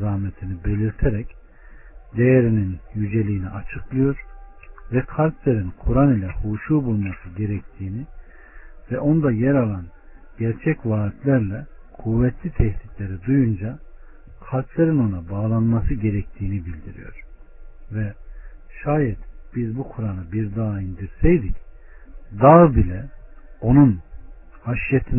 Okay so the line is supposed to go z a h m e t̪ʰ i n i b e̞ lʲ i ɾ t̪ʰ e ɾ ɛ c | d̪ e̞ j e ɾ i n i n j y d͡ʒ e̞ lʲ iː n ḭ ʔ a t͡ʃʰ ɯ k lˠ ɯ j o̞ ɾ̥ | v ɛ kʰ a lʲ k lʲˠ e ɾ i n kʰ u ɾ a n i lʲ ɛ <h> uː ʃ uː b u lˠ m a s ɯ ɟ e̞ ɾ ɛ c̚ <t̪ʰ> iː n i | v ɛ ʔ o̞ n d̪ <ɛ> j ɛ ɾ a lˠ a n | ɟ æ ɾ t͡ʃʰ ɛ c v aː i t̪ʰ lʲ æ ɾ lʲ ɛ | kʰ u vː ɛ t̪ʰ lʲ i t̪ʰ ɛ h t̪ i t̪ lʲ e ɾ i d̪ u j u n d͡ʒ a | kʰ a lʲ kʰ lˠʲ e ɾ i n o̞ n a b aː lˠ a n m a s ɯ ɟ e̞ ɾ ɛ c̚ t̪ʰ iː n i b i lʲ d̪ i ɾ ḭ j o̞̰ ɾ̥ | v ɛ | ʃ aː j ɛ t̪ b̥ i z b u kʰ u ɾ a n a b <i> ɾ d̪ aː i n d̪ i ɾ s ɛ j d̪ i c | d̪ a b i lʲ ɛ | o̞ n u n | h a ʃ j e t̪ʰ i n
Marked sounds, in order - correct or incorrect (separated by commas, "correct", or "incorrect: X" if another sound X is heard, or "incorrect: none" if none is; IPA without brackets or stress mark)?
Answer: correct, correct, incorrect: a, correct